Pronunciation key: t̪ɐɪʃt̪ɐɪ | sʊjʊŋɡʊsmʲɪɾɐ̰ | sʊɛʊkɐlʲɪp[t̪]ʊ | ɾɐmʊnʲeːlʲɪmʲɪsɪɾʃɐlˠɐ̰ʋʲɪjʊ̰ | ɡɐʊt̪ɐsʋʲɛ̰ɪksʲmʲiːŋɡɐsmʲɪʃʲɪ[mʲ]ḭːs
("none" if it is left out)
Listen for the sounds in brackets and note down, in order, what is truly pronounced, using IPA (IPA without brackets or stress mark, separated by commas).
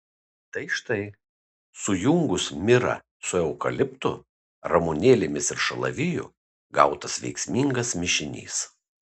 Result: t̪, nʲ